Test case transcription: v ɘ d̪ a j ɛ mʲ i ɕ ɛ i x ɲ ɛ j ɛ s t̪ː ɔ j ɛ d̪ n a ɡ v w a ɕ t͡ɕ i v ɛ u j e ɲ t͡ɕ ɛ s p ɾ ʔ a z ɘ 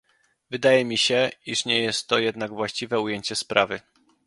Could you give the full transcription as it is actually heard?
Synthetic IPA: v ɘ d̪ a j ɛ mʲ i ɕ ɛ i ʂ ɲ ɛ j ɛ s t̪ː ɔ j ɛ d̪ n a ɡ v w a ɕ t͡ɕ i v ɛ u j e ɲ t͡ɕ ɛ s p ɾ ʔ a v ɘ